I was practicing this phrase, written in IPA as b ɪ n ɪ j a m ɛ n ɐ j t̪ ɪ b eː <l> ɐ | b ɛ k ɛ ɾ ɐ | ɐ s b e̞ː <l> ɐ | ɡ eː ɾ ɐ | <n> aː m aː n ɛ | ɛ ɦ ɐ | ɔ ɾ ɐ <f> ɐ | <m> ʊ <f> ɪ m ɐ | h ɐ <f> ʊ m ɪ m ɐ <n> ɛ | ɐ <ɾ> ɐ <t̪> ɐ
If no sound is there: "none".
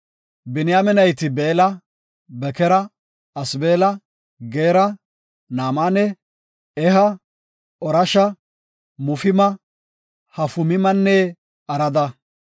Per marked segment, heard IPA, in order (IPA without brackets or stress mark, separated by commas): l, l, n, ʃ, m, f, f, nː, ɾ, d̪